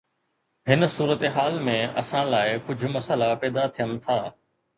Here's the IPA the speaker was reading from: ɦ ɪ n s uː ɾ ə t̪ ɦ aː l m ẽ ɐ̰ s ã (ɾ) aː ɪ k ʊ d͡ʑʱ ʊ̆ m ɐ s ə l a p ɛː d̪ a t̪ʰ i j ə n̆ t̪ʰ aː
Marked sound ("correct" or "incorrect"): incorrect